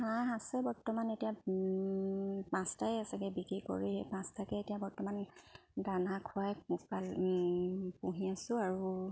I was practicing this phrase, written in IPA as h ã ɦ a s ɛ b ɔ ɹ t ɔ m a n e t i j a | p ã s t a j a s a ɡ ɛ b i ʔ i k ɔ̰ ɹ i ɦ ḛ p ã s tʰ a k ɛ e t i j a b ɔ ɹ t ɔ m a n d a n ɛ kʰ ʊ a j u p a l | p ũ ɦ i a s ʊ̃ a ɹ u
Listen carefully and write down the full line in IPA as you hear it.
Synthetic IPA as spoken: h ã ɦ a s ɛ b ɔ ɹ t ɔ m a n e t i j a | p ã s t a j a s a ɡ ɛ b i k i k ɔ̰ ɹ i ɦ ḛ p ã s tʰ a k ɛ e t i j a b ɔ ɹ t ɔ m a n d a n a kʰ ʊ a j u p a l | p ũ ɦ i a s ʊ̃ a ɹ u